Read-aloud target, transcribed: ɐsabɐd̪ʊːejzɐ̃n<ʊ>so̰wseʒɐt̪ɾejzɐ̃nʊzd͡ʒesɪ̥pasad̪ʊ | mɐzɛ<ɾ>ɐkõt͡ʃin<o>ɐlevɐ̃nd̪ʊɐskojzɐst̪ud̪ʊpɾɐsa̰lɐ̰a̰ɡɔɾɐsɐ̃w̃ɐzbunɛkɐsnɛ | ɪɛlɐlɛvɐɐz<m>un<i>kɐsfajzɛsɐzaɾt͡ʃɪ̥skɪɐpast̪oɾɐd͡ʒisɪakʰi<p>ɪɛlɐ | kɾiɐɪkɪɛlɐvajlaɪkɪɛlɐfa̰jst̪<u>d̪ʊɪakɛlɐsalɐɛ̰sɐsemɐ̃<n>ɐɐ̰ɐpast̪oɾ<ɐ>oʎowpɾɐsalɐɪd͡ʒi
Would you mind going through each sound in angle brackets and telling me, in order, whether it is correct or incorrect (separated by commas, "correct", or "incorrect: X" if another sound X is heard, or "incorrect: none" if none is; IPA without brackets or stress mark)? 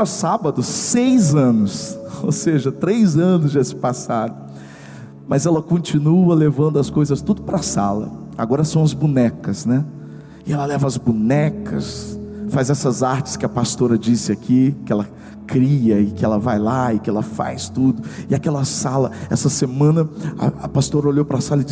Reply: correct, incorrect: l, incorrect: u, incorrect: b, incorrect: ɛ, incorrect: k, correct, correct, correct